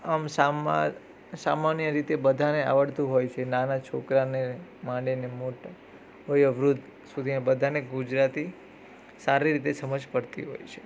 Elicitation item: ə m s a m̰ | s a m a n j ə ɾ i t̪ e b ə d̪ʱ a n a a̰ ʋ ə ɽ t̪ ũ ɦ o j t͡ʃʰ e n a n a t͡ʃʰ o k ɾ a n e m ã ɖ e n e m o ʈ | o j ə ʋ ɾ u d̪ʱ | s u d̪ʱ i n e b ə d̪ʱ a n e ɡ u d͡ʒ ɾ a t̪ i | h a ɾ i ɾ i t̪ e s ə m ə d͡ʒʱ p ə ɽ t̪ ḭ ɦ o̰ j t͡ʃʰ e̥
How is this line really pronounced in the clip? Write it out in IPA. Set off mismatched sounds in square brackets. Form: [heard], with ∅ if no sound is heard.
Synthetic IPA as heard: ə m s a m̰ | s a m a n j ə ɾ i t̪ e b ə d̪ʱ a n [e] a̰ ʋ ə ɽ t̪ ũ ɦ o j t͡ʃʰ e n a n a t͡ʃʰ o k ɾ a n e m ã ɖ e n e m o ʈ | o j ə ʋ ɾ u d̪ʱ | s u d̪ʱ i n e b ə d̪ʱ a n e ɡ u d͡ʒ ɾ a t̪ i | [s] a ɾ i ɾ i t̪ e s ə m ə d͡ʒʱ p ə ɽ t̪ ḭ ɦ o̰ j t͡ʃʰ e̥

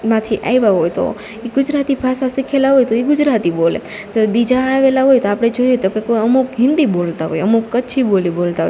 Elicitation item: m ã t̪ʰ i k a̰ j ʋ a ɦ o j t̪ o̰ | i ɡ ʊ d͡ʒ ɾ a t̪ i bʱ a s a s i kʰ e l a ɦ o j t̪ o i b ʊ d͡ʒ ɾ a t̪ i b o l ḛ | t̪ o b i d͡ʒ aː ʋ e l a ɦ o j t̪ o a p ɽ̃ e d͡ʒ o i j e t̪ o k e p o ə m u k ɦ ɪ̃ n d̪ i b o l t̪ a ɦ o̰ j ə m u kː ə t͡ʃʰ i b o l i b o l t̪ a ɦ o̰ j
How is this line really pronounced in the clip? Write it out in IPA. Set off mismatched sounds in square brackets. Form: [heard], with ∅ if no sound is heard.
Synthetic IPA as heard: m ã t̪ʰ i [ʔ] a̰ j ʋ a ɦ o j t̪ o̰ | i ɡ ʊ d͡ʒ ɾ a t̪ i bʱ a s a s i kʰ e l a ɦ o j t̪ o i [ɡ] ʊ d͡ʒ ɾ a t̪ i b o l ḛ | t̪ o b i d͡ʒ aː ʋ e l a ɦ o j t̪ o a p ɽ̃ e d͡ʒ o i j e t̪ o k e [k] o ə m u k ɦ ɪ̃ n d̪ i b o l t̪ a ɦ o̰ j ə m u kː ə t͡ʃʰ i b o l i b o l t̪ a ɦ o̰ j

